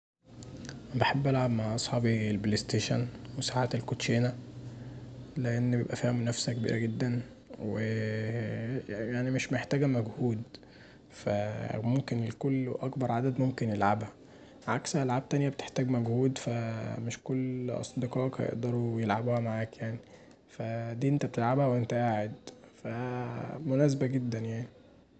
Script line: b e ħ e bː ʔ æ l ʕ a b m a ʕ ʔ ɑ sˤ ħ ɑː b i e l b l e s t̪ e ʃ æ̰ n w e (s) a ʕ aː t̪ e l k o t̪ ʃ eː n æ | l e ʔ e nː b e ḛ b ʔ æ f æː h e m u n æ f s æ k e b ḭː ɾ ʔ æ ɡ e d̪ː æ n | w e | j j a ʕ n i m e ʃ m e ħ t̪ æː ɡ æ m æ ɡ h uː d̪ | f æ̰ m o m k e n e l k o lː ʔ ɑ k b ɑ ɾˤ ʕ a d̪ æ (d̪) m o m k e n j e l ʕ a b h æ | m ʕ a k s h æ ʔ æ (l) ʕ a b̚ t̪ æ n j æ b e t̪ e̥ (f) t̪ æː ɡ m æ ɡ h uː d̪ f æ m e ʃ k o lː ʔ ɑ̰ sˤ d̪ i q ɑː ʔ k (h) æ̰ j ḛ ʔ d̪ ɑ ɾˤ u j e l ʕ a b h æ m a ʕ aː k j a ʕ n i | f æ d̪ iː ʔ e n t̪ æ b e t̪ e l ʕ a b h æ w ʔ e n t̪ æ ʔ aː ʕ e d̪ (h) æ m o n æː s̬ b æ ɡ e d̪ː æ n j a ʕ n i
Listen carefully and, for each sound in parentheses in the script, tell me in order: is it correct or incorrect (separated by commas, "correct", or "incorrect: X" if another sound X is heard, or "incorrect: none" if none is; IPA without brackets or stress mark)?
correct, correct, correct, incorrect: ħ, correct, incorrect: f